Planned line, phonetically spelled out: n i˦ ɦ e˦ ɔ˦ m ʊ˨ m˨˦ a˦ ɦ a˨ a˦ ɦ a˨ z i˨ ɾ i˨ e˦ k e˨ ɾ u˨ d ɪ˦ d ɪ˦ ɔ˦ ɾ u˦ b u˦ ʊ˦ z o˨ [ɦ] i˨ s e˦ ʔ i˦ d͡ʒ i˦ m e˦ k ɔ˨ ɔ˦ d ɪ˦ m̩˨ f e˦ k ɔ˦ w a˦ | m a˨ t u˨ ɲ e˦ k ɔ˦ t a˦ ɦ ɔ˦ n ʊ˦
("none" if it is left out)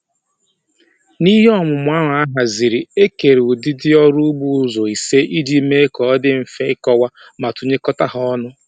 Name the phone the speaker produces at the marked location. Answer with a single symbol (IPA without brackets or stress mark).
none